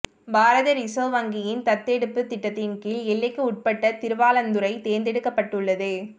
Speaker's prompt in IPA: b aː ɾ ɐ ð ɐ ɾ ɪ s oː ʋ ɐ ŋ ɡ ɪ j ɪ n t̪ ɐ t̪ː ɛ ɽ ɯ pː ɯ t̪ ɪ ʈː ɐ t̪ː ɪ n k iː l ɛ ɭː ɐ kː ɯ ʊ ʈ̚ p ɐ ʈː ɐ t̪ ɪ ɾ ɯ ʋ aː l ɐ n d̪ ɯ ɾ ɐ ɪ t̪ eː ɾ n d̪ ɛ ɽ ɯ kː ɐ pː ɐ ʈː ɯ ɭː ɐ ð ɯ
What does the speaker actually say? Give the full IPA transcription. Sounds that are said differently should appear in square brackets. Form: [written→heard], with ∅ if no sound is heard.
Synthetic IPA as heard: b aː ɾ ɐ ð ɐ ɾ ɪ s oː ʋ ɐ ŋ ɡ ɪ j ɪ n t̪ ɐ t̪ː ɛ ɽ ɯ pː ɯ t̪ ɪ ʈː ɐ t̪ː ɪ n k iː l ɛ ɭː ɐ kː ɯ ʊ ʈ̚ p ɐ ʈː ɐ t̪ ɪ ɾ ɯ ʋ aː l ɐ n d̪ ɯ ɾ ɐ ɪ t̪ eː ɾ n d̪ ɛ ɽ ɯ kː ɐ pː ɐ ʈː ɯ ɭː ɐ ð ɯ